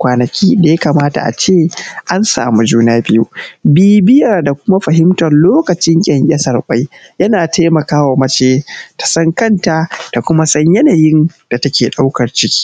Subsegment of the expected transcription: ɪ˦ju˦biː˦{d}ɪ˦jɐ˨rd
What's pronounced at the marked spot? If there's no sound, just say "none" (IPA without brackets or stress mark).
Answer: b